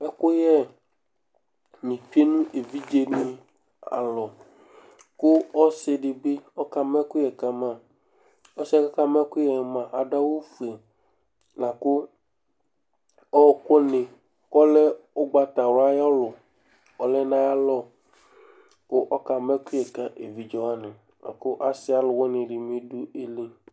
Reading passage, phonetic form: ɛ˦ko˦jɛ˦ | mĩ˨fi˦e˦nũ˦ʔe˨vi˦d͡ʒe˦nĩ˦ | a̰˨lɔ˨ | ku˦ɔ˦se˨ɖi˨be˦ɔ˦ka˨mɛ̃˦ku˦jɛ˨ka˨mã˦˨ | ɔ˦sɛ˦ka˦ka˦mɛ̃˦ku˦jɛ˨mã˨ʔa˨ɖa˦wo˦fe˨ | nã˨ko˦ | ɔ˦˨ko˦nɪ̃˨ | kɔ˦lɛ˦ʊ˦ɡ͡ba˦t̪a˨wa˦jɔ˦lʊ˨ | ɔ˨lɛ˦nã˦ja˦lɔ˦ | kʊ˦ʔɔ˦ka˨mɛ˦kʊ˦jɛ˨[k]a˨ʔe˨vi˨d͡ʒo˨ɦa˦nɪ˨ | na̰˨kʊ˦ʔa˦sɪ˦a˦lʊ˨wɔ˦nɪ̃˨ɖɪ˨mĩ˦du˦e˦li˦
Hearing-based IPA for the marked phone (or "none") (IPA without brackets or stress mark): k